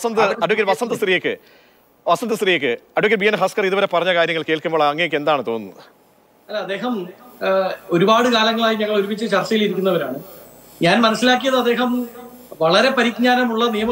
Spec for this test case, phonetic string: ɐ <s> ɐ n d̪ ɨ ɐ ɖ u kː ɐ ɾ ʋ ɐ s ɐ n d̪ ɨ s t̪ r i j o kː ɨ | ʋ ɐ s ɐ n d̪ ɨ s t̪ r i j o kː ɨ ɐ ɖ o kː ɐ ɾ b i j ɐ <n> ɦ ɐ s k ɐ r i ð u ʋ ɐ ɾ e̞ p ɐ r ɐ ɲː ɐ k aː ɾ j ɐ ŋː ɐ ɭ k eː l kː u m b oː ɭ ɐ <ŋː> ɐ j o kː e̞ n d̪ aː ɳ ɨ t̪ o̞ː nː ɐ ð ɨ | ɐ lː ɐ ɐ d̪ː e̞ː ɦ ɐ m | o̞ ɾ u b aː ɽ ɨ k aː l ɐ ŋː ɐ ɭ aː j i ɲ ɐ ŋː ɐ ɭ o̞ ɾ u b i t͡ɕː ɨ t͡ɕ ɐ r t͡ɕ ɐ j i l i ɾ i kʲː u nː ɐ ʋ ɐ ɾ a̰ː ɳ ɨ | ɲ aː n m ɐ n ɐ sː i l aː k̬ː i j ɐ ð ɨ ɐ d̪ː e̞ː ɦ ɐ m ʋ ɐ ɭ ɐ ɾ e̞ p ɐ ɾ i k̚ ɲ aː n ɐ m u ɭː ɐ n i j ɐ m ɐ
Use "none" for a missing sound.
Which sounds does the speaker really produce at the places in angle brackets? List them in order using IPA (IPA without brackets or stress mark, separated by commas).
s, n, ŋː